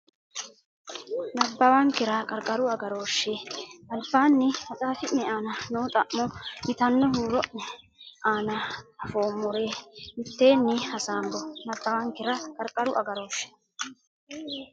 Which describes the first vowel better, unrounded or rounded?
unrounded